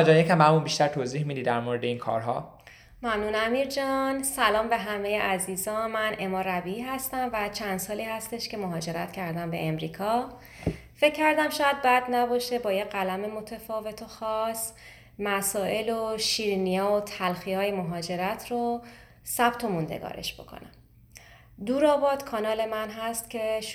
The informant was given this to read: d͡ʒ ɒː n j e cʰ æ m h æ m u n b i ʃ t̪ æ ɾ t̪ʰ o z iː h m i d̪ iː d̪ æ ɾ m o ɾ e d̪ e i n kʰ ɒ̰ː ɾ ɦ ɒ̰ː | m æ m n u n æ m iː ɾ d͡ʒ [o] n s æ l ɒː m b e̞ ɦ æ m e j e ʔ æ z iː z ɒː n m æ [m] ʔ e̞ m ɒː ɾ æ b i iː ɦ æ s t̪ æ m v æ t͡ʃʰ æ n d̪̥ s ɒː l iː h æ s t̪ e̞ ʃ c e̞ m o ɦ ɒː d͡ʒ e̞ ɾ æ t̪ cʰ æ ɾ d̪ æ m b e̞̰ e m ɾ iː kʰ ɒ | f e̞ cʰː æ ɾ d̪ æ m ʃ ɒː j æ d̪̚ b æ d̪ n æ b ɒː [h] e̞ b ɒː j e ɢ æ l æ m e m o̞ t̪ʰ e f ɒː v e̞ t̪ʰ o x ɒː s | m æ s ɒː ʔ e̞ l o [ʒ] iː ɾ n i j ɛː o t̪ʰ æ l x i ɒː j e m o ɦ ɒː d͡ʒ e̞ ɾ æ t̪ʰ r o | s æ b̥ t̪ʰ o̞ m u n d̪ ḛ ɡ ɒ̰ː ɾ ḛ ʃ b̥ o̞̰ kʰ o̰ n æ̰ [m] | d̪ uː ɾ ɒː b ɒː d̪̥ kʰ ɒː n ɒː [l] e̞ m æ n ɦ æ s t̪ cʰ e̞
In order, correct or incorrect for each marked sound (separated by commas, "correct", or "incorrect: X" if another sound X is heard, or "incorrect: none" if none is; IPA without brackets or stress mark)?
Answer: incorrect: ɒ, incorrect: n, incorrect: ʃ, incorrect: ʃ, correct, correct